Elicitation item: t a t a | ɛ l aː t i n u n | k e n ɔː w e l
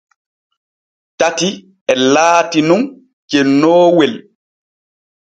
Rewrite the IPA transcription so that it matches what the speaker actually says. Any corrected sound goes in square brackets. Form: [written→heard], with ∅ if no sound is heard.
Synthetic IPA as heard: t a t [a→i] | ɛ l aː t i n u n | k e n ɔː w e l